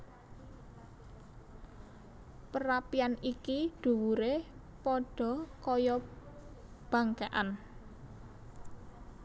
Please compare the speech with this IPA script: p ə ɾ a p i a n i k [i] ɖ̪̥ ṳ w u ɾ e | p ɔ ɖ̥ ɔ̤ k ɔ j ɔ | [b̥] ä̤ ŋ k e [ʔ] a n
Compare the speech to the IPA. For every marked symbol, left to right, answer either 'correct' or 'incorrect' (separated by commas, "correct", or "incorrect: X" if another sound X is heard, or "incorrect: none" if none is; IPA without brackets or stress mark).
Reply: correct, correct, correct